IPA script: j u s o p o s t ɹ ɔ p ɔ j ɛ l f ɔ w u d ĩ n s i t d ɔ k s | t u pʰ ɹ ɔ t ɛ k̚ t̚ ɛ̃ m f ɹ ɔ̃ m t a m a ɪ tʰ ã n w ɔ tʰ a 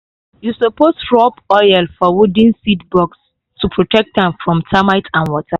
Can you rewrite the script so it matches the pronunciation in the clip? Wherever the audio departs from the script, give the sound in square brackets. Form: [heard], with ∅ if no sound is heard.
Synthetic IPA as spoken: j u s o p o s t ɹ ɔ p ɔ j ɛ l f ɔ w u d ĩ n s i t [b] ɔ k s | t u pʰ ɹ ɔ t ɛ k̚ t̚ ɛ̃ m f ɹ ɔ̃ m t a m a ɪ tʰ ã n w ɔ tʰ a